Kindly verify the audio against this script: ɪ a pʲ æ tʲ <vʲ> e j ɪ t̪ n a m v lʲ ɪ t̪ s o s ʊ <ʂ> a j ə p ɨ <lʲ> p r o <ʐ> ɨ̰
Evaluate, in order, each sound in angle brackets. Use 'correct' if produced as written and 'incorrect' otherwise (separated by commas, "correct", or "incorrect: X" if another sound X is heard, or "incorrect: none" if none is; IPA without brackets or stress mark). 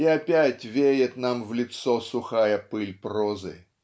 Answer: correct, incorrect: x, correct, incorrect: z